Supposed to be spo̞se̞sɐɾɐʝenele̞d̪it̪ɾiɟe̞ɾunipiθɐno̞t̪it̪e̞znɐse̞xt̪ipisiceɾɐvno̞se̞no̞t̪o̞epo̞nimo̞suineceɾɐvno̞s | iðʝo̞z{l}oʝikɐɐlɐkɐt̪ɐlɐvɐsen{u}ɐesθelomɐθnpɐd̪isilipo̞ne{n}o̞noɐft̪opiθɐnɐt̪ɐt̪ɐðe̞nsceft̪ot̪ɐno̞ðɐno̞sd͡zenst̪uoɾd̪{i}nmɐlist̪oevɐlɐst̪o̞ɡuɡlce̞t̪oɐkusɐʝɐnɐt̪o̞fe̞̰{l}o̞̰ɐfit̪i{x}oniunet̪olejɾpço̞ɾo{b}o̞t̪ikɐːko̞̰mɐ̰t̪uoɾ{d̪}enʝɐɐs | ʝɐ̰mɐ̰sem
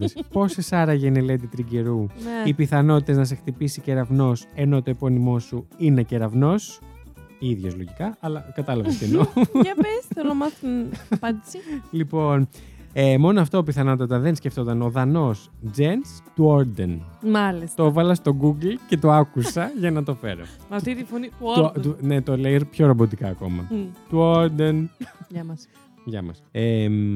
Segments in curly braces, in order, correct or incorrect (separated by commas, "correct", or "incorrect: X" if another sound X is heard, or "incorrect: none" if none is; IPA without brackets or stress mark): correct, incorrect: o, incorrect: m, incorrect: e, incorrect: ɾ, incorrect: f, correct, correct